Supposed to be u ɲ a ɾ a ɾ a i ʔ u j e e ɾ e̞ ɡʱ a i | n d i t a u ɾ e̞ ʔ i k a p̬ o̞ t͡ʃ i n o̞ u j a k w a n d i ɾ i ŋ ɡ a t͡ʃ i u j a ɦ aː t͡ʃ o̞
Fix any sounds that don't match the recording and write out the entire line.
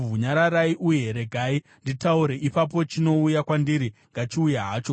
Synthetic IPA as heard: u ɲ a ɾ a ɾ a i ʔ u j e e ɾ e̞ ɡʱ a i | n d i t a u ɾ e̞ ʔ i p a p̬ o̞ t͡ʃ i n o̞ u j a k w a n d i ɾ i ŋ ɡ a t͡ʃ i u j a ɦ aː t͡ʃ o̞